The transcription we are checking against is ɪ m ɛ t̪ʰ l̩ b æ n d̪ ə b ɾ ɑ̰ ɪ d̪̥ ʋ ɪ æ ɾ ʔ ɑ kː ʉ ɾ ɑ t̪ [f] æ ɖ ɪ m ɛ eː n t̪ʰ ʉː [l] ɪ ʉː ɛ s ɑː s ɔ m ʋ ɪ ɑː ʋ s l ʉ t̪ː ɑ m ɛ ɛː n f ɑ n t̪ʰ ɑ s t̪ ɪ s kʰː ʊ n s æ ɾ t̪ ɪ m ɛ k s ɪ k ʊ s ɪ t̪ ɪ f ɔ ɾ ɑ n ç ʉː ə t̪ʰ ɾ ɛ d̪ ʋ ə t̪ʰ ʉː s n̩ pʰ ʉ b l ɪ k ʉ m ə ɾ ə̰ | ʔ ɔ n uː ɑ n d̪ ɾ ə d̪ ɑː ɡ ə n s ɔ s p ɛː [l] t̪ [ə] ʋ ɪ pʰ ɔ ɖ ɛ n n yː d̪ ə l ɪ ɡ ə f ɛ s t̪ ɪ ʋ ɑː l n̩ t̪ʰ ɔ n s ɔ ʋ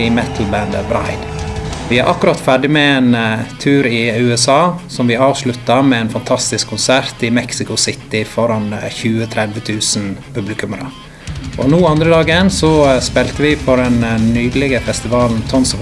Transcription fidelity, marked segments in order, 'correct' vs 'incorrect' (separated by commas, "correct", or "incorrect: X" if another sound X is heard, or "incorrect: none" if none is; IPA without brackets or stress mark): correct, incorrect: ɾ, correct, correct